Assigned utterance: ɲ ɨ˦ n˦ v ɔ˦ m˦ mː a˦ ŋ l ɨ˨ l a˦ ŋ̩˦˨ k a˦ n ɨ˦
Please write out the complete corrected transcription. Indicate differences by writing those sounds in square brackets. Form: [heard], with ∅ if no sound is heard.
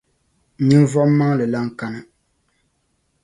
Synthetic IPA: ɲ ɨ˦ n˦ v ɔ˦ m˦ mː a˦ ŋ l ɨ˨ l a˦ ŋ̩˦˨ k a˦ n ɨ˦